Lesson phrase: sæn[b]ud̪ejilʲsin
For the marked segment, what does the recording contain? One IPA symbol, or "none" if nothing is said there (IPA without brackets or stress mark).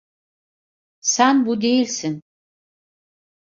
b